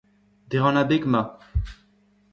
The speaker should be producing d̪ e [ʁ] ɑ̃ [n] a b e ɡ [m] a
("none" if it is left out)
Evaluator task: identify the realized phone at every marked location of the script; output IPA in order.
ʁ, n, m

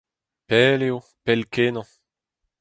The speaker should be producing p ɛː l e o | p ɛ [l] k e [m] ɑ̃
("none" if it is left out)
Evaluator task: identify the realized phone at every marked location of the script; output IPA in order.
l, n

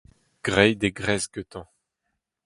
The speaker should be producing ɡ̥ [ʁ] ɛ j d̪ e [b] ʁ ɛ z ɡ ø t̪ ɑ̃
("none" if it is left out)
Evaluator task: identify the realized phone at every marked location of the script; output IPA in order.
ʁ, ɡ

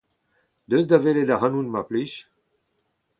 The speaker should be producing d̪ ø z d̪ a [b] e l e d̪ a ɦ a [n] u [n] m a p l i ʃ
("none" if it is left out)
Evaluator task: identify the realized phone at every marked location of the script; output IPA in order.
v, n, n

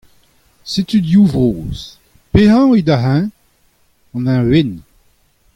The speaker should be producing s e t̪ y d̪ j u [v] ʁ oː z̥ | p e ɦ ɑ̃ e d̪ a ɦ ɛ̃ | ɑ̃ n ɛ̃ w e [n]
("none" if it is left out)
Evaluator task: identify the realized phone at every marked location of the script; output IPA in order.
v, n

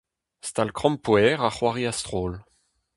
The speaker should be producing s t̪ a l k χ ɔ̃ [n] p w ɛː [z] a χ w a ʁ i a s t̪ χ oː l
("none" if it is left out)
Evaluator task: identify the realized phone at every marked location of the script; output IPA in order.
m, ʁ

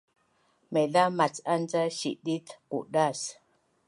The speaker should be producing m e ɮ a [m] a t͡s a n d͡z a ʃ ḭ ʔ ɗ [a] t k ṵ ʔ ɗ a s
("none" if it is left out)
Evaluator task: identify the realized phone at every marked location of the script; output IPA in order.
m, i

